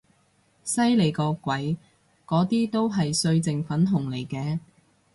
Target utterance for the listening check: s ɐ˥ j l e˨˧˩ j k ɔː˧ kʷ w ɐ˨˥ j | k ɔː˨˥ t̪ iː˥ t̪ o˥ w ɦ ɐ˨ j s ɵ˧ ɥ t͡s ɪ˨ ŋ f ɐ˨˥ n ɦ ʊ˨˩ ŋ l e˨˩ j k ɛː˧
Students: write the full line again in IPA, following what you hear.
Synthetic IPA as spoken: s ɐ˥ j l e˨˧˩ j k ɔː˧ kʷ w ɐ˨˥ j | k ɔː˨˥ t̪ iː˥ t̪ o˥ w ɦ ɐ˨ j s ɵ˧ ɥ t͡s ɪ˨ ŋ f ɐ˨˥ n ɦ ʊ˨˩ ŋ l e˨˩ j k ɛː˧